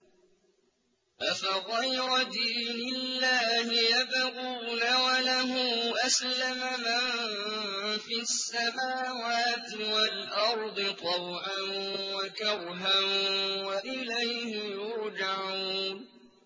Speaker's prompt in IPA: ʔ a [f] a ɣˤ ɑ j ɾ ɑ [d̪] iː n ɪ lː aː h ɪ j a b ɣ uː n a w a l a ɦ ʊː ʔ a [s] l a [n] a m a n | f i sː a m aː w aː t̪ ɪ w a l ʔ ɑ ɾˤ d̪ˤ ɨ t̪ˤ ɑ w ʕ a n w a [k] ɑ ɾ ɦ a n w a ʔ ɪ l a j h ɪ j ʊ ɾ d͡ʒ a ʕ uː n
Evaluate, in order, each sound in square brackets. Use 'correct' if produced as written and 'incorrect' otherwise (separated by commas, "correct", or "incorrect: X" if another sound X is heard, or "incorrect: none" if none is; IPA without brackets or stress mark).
correct, correct, correct, incorrect: m, correct